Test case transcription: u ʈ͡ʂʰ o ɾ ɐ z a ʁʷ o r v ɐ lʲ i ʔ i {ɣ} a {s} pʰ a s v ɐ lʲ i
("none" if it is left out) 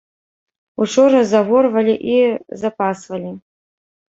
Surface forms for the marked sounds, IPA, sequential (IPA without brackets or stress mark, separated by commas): z, none